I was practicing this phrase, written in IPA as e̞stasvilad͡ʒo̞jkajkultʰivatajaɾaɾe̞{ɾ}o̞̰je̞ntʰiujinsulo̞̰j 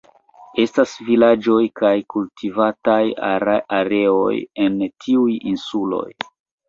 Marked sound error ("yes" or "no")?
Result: yes